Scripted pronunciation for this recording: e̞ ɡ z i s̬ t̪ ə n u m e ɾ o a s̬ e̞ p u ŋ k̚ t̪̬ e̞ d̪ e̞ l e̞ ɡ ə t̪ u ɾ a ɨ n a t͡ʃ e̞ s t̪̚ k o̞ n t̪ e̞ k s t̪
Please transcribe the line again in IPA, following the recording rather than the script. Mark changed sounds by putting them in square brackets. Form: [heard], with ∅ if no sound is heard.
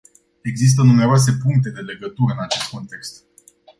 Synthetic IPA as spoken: e̞ ɡ z i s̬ t̪ ə n u m e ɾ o a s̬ e̞ p u ŋ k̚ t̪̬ e̞ d̪ e̞ l e̞ ɡ ə t̪ u ɾ [ə] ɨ n a t͡ʃ e̞ s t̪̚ k o̞ n t̪ e̞ k s t̪